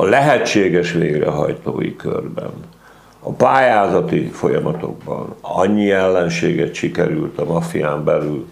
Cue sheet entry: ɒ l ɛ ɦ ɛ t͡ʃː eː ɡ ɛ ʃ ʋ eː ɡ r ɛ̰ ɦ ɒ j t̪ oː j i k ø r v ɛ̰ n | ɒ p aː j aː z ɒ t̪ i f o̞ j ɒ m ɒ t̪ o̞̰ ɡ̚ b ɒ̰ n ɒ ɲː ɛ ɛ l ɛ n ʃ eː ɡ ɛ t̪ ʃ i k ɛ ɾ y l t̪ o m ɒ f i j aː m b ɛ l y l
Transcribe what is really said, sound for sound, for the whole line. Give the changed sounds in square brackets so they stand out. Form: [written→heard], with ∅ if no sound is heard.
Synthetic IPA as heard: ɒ l ɛ ɦ ɛ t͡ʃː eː ɡ ɛ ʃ ʋ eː ɡ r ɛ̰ ɦ ɒ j t̪ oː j i k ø r [v→b] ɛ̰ n | ɒ p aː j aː z ɒ t̪ i f o̞ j ɒ m ɒ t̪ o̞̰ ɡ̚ b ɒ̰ n ɒ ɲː [ɛ→i] ɛ [l→lː] ɛ n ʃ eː ɡ ɛ t̪ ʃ i k ɛ ɾ y l t̪ [o→ɒ] m ɒ f i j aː m b ɛ l y l